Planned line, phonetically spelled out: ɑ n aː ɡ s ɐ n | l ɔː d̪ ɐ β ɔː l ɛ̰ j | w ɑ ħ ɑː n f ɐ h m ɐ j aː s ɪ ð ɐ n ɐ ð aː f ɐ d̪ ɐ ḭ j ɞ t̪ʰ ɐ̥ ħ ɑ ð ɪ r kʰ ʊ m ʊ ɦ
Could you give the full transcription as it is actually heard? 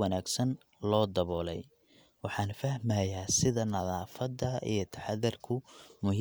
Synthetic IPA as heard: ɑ n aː ɡ s ɐ n | l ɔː d̪ ɐ β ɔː l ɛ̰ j | w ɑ ħ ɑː n f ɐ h m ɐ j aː s ɪ ð ɐ n ɐ ð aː f ɐ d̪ ɐ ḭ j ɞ t̪ʰ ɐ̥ ħ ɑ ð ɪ r kʰ ʊ m ʊ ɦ